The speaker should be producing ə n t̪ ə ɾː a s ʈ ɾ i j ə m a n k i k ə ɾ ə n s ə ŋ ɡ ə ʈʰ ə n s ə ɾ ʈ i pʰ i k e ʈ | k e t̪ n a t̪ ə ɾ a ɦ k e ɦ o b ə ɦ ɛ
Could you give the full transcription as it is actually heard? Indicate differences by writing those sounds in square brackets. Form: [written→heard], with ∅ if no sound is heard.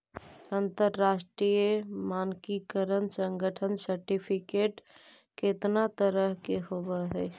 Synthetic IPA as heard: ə n t̪ ə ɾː a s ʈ ɾ i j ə m a n k i k ə ɾ ə n s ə ŋ ɡ ə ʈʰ ə n s ə ɾ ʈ i pʰ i k e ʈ | k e t̪ n a t̪ ə ɾ [a→ə] ɦ k e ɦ o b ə ɦ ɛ

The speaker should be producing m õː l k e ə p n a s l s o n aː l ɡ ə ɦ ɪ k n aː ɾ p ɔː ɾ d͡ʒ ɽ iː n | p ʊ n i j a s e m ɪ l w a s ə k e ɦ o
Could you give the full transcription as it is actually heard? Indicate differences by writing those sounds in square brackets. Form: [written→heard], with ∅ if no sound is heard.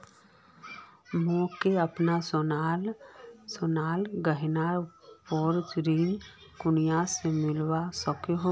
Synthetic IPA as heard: m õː [l→∅] k e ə p n a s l s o n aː l ɡ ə ɦ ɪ [k→∅] n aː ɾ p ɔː ɾ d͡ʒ [ɽ→ɾ] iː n | [p→k] ʊ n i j a s e m ɪ l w a s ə k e ɦ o

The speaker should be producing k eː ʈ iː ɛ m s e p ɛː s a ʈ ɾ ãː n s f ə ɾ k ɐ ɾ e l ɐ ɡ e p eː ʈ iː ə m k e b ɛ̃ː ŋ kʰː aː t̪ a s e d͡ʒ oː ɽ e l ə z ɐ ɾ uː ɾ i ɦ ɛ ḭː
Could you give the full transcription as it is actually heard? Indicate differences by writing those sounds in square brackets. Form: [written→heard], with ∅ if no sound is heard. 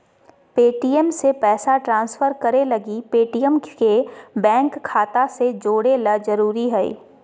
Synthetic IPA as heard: [k→p] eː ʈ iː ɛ m s e p ɛː s a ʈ ɾ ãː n s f ə ɾ k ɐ ɾ e l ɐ ɡ [e→i] p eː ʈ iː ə m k e b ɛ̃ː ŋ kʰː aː t̪ a s e d͡ʒ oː ɽ e l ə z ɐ ɾ uː ɾ i ɦ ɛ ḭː

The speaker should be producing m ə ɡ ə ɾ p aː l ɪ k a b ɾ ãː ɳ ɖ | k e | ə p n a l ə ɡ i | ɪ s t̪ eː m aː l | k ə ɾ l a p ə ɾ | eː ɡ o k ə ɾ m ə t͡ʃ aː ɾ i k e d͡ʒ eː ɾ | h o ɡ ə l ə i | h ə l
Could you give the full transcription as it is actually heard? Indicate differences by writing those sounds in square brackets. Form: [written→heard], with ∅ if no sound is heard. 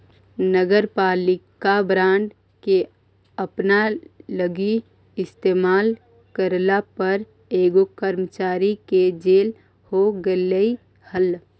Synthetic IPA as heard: [m→n] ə ɡ ə ɾ p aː l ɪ k a b ɾ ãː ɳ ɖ | k e | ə p n a l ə ɡ i | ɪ s t̪ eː m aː l | k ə ɾ l a p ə ɾ | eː ɡ o k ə ɾ m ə t͡ʃ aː ɾ i k e d͡ʒ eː [ɾ→l] | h o ɡ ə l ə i | h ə l

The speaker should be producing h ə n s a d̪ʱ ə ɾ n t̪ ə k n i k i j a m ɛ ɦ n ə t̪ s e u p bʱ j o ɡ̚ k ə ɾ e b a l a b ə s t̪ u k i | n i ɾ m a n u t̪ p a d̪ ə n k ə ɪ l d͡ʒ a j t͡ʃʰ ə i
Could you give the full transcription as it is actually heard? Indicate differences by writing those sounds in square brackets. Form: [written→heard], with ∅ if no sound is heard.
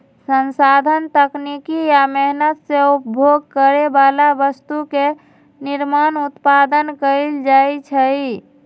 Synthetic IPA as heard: [h→s] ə n s a d̪ʱ ə [ɾ→∅] n t̪ ə k n i k i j a m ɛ ɦ n ə t̪ s e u p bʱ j o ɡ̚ k ə ɾ e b a l a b ə s t̪ u k [i→e] | n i ɾ m a n u t̪ p a d̪ ə n k ə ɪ l d͡ʒ a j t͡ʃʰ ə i

